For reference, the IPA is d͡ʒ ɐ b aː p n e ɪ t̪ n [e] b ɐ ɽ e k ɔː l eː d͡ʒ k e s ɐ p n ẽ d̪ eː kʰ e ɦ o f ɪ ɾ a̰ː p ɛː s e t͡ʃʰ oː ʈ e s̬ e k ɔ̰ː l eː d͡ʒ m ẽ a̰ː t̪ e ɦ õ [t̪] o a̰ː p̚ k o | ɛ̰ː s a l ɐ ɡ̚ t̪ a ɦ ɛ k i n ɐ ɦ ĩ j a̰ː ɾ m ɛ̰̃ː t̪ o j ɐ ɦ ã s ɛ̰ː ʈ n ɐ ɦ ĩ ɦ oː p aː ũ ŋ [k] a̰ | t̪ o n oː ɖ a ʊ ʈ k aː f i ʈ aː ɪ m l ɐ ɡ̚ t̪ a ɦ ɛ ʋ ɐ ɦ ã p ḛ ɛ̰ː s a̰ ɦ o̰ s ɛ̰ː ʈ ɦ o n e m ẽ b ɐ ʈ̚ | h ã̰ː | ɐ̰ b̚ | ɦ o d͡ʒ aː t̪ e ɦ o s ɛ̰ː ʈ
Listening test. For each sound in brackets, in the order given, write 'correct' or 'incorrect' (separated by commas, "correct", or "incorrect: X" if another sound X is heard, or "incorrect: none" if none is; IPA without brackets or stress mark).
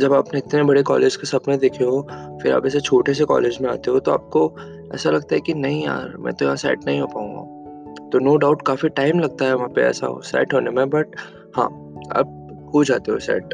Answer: correct, correct, incorrect: ɡ